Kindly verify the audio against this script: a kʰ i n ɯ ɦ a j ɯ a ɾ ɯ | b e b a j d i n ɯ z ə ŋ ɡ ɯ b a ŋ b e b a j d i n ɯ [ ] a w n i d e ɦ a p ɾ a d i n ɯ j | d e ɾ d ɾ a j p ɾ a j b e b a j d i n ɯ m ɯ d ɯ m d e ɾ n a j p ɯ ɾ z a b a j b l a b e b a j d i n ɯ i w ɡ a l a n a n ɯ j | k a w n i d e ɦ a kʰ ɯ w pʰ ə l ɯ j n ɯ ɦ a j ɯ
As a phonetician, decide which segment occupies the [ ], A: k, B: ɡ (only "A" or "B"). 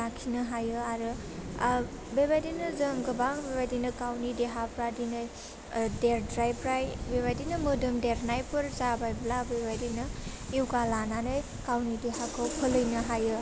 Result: A